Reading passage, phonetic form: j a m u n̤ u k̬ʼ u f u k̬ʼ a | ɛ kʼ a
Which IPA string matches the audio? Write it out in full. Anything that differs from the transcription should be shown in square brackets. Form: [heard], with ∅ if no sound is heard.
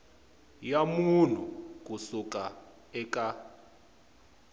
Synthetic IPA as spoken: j a m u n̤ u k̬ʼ u [s] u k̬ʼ a | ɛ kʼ a

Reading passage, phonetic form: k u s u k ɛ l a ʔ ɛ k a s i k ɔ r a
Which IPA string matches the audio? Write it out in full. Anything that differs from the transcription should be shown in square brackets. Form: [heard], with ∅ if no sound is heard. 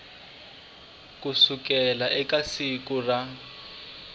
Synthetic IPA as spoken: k u s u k ɛ l a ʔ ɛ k a s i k [u] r a

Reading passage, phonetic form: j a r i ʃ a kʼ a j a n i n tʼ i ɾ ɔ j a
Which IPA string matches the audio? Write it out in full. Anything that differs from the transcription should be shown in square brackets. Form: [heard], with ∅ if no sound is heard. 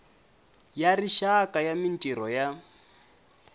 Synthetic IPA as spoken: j a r i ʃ a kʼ a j a [m] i n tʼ i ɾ ɔ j a

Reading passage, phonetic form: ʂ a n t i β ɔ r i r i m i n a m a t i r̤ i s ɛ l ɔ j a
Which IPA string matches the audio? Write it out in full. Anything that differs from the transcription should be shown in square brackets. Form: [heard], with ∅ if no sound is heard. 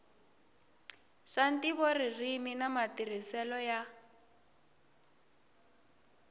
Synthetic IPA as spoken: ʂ a n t i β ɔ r i r i m i n a m a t i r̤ i s ɛ l ɔ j a

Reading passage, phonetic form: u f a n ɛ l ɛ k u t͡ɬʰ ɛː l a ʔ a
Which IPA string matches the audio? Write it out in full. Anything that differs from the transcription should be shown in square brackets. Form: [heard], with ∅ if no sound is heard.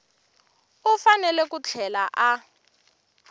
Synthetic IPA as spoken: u f a n ɛ l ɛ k u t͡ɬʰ [ɛ] l a ʔ a

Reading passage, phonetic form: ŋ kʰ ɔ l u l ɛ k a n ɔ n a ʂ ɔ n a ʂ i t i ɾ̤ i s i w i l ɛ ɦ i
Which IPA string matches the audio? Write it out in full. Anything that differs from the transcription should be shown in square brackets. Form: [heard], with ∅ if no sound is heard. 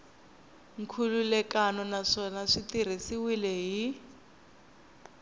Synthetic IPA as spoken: ŋ kʰ [u] l u l ɛ k a n ɔ n a ʂ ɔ n a ʂ i t i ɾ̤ i s i w i l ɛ ɦ i

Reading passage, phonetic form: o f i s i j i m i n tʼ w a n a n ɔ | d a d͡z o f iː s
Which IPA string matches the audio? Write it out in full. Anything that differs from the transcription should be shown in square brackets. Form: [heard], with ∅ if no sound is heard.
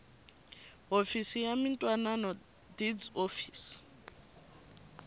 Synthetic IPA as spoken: o f i s i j [a] m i n tʼ w a n a n ɔ | d [i] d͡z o f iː s

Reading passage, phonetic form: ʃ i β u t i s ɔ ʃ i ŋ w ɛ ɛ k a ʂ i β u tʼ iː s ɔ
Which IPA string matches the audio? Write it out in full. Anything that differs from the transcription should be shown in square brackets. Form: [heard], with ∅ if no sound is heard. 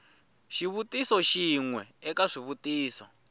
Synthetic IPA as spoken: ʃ i β u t i s ɔ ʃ i ŋ w ɛ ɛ k a ʂ i β u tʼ iː s ɔ

